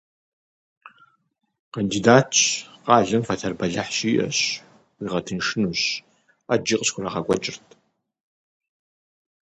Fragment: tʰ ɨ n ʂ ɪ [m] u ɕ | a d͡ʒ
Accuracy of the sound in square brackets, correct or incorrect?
incorrect: n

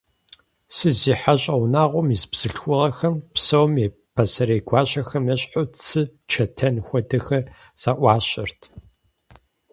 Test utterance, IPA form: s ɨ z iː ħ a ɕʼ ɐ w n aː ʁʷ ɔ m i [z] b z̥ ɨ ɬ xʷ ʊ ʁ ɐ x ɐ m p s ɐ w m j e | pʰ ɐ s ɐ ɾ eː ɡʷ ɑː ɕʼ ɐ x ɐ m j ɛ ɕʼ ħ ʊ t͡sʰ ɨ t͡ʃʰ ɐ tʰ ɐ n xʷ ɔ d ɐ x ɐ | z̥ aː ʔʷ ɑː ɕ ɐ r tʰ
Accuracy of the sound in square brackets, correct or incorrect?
correct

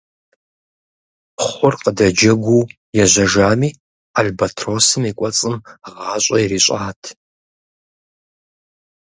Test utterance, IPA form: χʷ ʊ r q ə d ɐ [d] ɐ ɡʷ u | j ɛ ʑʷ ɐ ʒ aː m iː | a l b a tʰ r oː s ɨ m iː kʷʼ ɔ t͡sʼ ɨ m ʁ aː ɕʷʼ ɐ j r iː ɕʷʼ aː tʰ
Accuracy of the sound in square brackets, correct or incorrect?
incorrect: d͡ʒ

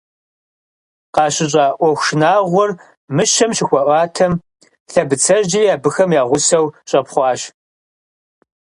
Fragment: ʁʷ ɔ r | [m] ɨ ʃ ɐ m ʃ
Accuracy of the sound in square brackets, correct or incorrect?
correct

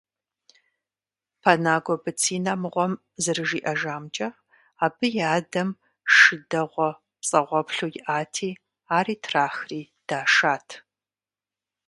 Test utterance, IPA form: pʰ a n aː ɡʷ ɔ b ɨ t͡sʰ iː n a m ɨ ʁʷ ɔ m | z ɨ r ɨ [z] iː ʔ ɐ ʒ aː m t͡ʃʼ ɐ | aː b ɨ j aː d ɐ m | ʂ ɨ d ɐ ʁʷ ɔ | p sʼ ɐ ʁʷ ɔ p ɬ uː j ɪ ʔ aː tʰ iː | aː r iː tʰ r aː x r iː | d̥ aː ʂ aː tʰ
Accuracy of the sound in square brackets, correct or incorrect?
incorrect: ʒ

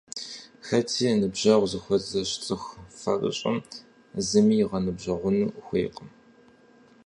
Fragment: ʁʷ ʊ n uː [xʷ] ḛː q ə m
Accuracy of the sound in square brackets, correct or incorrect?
correct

